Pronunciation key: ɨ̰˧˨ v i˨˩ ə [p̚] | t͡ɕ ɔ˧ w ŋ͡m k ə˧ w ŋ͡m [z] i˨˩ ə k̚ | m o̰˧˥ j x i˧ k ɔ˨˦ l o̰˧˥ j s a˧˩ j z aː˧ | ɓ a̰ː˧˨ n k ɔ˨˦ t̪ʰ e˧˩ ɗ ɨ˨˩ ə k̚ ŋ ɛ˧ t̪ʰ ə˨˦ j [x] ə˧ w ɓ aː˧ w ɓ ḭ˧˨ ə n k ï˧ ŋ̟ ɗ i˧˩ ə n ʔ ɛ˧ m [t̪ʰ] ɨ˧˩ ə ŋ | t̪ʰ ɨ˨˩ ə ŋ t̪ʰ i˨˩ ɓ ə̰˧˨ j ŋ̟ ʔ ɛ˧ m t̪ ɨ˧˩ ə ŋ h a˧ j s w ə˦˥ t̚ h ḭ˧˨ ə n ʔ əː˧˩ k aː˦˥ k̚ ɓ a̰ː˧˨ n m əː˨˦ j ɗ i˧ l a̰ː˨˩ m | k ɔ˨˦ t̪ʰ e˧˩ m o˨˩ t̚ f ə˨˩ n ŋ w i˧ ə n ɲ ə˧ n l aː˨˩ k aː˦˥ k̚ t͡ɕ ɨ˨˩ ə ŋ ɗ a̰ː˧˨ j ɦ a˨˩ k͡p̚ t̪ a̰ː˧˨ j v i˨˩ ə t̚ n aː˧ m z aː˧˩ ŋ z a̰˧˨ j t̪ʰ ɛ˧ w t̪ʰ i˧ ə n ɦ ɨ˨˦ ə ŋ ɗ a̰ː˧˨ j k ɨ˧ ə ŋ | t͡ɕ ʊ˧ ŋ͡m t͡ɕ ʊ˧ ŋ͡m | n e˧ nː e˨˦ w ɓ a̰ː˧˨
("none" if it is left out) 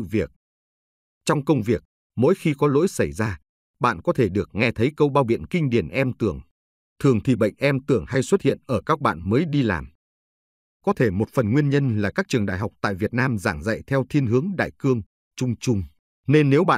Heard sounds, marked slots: k̚, v, k, t̪

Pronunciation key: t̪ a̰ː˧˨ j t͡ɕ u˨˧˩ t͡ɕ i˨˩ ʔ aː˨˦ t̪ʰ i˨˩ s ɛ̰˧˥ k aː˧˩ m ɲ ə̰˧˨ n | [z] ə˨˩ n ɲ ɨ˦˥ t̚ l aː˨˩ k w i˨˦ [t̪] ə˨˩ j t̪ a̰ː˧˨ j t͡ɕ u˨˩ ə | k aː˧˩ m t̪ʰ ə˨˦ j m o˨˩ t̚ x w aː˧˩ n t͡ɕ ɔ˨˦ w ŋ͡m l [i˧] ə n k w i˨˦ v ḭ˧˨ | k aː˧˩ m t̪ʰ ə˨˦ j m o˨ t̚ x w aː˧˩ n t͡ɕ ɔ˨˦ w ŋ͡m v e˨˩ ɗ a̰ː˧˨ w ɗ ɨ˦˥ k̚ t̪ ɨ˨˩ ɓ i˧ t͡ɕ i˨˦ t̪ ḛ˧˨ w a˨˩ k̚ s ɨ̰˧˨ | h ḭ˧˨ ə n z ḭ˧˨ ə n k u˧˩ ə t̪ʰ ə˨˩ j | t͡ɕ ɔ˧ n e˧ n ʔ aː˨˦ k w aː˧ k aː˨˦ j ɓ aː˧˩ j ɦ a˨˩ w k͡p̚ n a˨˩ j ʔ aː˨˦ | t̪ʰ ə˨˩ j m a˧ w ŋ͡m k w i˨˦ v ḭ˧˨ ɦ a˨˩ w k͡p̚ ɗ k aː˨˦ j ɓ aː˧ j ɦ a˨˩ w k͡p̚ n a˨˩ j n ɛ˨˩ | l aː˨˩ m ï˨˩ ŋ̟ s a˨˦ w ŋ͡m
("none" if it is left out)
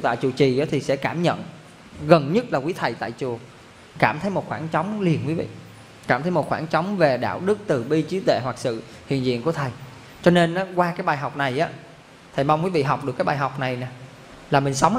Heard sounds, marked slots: ɣ, t̪ʰ, i˨˩

